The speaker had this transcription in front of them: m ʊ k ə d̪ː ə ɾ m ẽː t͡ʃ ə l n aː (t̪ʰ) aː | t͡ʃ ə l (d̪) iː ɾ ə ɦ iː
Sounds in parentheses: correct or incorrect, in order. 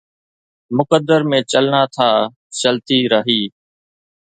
correct, incorrect

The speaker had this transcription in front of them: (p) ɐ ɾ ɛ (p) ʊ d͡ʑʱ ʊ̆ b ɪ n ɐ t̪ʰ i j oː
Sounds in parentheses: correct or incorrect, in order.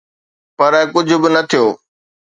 correct, incorrect

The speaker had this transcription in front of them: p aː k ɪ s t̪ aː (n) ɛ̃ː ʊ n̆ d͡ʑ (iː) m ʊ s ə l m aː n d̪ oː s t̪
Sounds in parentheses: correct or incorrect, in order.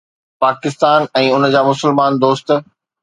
correct, incorrect

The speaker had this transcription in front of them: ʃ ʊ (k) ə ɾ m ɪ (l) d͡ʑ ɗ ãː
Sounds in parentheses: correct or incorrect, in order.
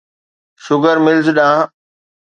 incorrect, correct

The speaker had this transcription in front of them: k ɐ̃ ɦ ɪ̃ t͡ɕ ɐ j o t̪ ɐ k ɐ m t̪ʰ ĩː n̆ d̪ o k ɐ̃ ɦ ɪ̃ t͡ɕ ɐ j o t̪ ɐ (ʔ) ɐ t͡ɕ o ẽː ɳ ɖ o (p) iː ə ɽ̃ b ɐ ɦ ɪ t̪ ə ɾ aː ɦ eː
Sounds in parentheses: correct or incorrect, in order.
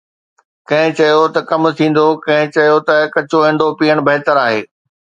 incorrect, correct

